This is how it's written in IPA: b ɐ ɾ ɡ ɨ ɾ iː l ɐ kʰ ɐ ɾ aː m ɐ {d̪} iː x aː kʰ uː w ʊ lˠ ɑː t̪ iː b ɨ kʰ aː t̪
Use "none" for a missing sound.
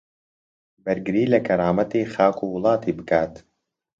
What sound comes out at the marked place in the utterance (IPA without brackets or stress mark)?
t̪